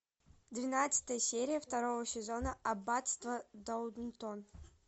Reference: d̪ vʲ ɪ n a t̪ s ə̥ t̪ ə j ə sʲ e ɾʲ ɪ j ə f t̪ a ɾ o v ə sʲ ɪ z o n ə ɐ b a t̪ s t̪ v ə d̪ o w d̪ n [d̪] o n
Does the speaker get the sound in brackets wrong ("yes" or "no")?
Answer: yes